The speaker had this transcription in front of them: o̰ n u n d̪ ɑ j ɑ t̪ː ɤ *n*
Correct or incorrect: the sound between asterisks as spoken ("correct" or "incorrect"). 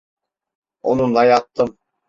incorrect